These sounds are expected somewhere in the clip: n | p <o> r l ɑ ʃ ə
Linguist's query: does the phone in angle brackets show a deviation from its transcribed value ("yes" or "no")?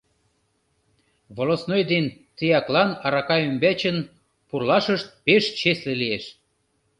yes